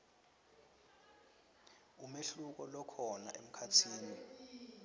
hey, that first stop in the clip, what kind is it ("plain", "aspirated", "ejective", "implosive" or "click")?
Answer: plain